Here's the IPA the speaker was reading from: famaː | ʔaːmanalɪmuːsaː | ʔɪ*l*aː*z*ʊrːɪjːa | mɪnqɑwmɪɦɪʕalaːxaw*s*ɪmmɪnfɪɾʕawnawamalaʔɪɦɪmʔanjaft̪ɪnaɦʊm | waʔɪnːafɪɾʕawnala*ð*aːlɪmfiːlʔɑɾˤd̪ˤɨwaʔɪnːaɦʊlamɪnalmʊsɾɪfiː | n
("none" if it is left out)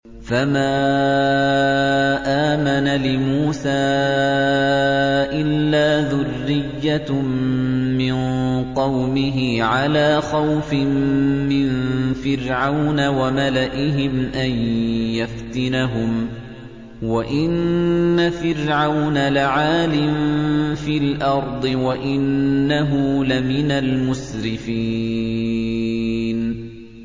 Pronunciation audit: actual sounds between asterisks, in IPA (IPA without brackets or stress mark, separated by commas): lː, ð, f, ʕ